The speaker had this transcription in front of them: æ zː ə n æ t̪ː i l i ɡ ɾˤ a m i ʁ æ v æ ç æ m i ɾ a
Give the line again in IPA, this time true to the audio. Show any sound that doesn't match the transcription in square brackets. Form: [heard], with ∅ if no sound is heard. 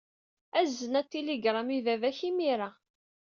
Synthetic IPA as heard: æ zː ə n æ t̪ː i l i ɡ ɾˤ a m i [v] æ v æ ç [i] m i ɾ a